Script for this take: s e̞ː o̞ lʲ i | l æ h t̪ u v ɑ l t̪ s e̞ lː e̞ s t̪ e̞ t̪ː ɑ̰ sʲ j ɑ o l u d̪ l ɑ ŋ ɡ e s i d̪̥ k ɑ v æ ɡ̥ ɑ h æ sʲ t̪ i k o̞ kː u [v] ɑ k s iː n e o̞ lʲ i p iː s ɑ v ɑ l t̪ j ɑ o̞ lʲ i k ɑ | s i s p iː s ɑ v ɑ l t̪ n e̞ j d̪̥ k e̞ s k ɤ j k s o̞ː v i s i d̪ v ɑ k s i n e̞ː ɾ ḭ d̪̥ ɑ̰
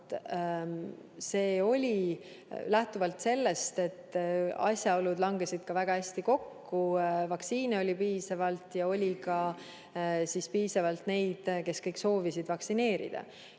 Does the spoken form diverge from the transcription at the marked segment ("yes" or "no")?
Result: no